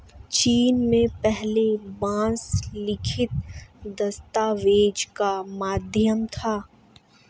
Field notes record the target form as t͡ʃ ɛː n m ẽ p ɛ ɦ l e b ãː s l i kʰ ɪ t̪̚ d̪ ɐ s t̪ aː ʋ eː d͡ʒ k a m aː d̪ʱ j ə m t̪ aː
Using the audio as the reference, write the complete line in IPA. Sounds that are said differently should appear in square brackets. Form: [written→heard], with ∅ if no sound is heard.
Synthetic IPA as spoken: t͡ʃ [ɛː→iː] n m ẽ p ɛ ɦ l e b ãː s l [i→ɪ] kʰ ɪ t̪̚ d̪ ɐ s t̪ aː ʋ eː d͡ʒ k a m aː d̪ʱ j ə m [t̪→t̪ʰ] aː